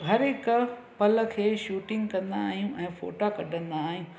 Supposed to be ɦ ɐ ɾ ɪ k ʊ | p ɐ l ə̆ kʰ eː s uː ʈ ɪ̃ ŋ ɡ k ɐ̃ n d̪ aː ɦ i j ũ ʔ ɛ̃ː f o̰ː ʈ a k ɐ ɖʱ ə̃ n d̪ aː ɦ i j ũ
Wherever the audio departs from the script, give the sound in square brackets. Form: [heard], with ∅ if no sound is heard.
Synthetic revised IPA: ɦ ɐ ɾ ɪ k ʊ | p ɐ l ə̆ kʰ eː [ʃ] uː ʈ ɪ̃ ŋ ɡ k ɐ̃ n d̪ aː ɦ i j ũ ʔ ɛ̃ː f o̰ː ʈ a k ɐ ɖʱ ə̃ n d̪ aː ɦ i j ũ